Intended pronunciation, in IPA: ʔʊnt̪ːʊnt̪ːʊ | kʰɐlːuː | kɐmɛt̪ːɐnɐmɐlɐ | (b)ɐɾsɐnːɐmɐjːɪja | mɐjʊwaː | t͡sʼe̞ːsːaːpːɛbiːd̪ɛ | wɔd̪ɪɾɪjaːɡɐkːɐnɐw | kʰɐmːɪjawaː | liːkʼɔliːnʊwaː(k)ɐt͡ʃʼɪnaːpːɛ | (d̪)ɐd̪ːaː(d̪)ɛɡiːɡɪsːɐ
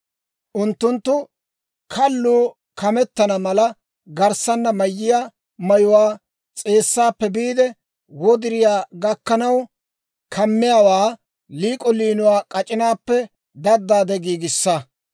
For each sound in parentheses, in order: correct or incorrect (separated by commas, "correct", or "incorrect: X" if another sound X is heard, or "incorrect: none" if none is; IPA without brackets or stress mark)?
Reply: incorrect: ɡ, incorrect: kʼ, correct, correct